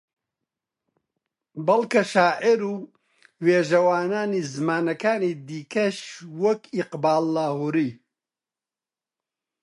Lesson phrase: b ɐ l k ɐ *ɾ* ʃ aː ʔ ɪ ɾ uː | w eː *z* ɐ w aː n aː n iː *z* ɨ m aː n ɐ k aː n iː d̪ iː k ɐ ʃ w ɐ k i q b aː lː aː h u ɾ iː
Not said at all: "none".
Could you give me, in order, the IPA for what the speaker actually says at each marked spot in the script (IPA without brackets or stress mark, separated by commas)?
none, ʒ, z